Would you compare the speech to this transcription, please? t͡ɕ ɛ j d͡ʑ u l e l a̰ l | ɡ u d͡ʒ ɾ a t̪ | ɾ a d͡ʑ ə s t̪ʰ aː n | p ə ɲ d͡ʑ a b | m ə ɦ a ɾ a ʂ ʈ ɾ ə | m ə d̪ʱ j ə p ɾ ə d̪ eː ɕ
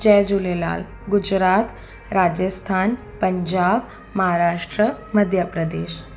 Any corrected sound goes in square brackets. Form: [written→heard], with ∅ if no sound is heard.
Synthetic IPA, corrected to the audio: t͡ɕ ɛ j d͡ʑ u l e l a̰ l | ɡ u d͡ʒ ɾ a t̪ | ɾ a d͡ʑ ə s t̪ʰ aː n | p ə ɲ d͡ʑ a b | m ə ɦ a ɾ a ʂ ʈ ɾ ə | m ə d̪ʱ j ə p ɾ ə d̪ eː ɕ